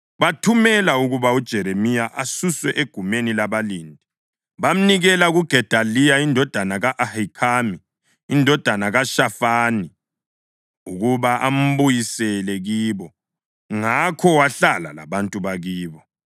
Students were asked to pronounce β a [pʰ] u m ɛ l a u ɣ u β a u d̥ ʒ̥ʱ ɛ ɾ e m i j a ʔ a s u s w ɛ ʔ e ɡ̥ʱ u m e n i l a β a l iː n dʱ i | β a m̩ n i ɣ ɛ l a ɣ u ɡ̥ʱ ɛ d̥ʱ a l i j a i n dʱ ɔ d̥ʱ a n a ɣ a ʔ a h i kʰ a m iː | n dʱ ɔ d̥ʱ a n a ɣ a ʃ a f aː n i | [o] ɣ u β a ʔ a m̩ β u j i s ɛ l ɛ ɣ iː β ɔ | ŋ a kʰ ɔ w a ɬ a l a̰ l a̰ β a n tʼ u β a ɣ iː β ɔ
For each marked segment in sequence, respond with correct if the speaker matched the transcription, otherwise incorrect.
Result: incorrect, incorrect

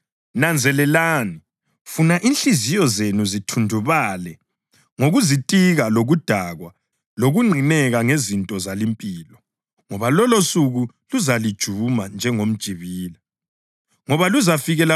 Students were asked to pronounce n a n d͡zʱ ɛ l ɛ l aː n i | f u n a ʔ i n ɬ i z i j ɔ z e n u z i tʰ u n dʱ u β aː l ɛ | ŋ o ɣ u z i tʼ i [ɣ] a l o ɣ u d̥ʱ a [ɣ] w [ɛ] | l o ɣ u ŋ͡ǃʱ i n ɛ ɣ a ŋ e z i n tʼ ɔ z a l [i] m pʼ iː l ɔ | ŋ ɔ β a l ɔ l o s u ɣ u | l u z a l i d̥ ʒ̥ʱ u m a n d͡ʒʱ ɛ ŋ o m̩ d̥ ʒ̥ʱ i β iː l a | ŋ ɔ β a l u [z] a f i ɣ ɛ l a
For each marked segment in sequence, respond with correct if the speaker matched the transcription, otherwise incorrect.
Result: correct, correct, incorrect, correct, correct

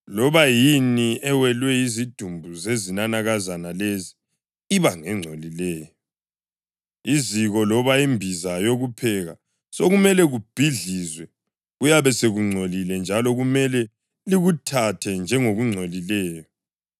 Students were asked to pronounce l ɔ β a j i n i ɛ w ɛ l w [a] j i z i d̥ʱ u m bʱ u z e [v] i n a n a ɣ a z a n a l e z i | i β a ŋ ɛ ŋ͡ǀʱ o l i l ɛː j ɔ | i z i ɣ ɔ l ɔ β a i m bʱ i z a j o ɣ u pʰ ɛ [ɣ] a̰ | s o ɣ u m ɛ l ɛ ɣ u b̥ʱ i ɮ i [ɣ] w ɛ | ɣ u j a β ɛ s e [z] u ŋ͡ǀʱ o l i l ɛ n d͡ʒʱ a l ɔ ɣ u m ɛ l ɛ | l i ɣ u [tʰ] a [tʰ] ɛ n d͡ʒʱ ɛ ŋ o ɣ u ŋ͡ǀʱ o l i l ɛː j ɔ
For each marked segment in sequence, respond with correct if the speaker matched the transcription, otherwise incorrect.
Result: incorrect, incorrect, correct, incorrect, incorrect, correct, correct

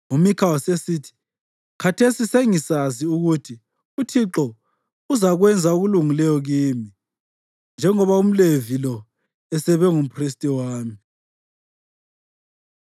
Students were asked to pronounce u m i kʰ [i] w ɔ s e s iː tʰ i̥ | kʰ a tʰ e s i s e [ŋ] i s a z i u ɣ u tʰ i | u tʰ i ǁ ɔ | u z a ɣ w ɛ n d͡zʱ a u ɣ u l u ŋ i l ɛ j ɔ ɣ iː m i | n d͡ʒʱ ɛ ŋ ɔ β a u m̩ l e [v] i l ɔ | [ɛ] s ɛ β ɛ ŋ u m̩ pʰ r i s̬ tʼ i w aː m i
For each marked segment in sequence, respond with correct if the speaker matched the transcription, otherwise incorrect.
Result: incorrect, correct, correct, correct

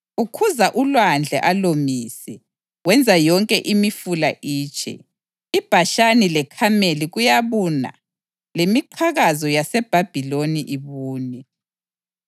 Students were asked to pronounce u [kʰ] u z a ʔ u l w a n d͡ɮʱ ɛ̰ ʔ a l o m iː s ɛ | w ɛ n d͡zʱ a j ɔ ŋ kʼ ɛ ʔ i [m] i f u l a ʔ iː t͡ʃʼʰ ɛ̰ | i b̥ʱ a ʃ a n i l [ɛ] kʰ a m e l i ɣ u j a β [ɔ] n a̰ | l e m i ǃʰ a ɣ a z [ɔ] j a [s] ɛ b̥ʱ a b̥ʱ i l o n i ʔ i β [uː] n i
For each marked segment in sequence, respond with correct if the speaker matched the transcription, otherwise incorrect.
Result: correct, correct, correct, incorrect, correct, correct, correct

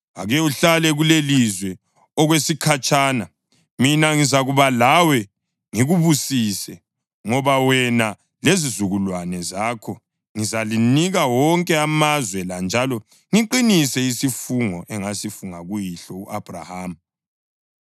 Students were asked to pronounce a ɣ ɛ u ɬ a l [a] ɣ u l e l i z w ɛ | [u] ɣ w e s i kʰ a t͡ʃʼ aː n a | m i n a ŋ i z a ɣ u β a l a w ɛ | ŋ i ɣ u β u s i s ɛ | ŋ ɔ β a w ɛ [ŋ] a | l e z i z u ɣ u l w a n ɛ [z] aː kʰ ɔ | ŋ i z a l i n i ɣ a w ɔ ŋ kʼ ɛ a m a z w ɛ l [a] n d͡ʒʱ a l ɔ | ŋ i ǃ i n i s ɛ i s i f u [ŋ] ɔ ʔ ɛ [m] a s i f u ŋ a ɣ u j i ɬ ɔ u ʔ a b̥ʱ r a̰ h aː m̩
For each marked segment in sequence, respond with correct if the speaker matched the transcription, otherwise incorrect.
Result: incorrect, incorrect, incorrect, correct, correct, correct, incorrect

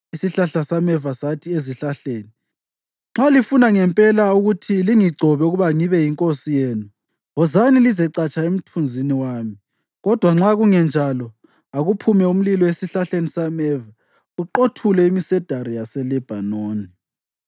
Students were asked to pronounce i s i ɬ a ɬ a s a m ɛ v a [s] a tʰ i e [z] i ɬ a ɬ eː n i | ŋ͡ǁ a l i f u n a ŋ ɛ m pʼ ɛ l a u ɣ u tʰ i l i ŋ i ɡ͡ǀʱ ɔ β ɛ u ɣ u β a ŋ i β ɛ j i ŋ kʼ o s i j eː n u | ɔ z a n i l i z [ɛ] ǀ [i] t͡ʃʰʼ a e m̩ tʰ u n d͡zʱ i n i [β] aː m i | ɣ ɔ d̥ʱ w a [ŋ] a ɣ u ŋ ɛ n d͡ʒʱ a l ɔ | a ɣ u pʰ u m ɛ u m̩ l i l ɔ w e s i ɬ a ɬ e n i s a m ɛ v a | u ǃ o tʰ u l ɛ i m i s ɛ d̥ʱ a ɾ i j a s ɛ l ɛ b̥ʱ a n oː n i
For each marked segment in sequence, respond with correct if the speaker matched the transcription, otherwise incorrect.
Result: correct, correct, correct, incorrect, incorrect, incorrect

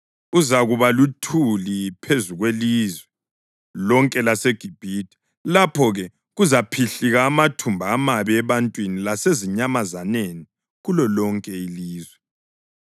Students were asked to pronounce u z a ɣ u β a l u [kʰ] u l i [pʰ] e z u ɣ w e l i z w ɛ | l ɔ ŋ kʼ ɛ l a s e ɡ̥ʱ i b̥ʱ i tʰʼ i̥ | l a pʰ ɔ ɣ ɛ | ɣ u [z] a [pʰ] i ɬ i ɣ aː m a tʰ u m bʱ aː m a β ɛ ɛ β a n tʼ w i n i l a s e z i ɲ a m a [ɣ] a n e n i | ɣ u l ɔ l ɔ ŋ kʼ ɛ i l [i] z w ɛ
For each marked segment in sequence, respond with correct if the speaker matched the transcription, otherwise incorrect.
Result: incorrect, correct, correct, correct, incorrect, incorrect

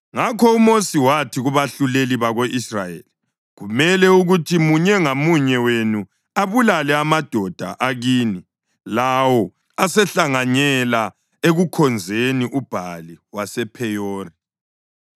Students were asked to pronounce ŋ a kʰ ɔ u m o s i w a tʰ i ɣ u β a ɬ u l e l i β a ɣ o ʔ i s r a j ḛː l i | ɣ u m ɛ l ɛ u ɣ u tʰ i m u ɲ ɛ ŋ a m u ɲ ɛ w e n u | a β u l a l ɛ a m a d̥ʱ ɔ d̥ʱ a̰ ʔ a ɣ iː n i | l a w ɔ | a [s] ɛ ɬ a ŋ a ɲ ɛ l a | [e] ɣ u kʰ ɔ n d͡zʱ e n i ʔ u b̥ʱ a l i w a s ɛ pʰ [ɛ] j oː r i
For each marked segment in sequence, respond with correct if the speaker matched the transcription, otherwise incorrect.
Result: correct, correct, correct

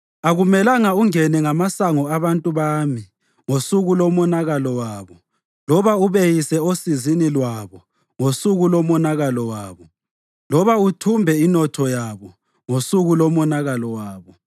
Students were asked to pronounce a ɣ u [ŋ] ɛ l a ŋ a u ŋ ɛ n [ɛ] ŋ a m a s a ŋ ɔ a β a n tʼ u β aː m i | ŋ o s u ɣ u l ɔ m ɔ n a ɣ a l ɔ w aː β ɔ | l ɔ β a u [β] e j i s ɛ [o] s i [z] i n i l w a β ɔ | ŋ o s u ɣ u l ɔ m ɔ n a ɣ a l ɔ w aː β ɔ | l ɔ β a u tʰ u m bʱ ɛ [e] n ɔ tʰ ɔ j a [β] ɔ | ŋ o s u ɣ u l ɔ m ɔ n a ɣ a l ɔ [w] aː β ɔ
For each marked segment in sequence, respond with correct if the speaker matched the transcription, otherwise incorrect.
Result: incorrect, correct, correct, correct, correct, incorrect, correct, correct

